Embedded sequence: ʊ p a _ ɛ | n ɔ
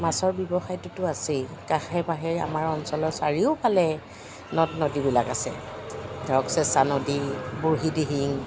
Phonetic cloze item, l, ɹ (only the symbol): l